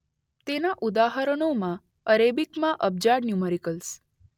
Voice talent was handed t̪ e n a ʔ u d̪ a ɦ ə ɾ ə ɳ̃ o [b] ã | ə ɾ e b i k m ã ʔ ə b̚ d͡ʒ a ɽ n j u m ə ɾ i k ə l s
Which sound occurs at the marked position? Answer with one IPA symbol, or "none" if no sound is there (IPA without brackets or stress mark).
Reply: m